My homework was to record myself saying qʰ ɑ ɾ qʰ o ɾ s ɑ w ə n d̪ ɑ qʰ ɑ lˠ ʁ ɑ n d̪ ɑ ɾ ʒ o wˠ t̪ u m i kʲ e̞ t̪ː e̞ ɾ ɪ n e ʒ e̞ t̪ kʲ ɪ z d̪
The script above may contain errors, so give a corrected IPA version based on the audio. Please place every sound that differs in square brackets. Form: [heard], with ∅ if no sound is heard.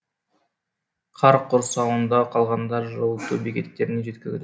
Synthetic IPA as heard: qʰ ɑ ɾ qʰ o ɾ s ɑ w ə n d̪ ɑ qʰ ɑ lˠ ʁ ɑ n d̪ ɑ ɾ ʒ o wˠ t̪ u [b] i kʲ e̞ t̪ː e̞ ɾ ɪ n e ʒ e̞ t̪ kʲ ɪ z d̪